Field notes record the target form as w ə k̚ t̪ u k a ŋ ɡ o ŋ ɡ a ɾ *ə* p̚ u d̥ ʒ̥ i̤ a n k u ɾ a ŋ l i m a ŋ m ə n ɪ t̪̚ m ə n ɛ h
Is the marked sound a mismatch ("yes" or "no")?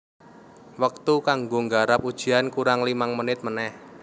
yes